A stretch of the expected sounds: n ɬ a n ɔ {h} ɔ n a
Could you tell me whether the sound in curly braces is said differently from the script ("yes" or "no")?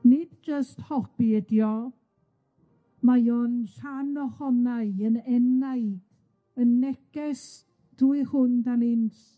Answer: no